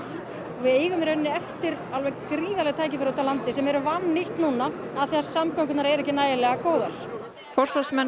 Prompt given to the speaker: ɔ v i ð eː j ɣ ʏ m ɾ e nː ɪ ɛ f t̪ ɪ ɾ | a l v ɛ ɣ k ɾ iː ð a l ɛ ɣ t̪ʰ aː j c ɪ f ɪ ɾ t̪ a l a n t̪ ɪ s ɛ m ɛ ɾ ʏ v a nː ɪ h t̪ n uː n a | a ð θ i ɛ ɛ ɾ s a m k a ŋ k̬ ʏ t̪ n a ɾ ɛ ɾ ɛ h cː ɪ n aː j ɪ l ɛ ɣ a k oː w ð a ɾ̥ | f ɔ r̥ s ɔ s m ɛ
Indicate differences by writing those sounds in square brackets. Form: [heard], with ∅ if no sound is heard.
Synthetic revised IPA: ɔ v [ɪ] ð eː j ɣ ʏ m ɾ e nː ɪ ɛ f t̪ ɪ ɾ | a l v ɛ ɣ k ɾ iː ð a l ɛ ɣ t̪ʰ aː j c ɪ f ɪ ɾ t̪ a l a n t̪ ɪ s ɛ m ɛ ɾ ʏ v a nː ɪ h t̪ n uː n a | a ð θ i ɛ [a] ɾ s a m k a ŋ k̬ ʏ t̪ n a ɾ ɛ ɾ ɛ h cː ɪ n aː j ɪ l ɛ ɣ a k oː w ð a ɾ̥ | f ɔ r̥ s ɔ s m ɛ